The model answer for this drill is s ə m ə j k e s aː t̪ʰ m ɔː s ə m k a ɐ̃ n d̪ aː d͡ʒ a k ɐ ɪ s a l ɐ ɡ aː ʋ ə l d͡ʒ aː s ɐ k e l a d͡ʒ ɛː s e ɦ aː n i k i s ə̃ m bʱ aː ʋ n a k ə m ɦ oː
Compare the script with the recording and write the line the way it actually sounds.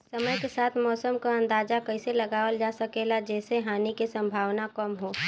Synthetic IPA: s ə m ə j k e s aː t̪ʰ m ɔː s ə m k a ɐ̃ n d̪ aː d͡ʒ a k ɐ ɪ s e l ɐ ɡ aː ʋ ə l d͡ʒ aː s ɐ k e l a d͡ʒ ɛː s e ɦ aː n i k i s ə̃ m bʱ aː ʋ n a k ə m ɦ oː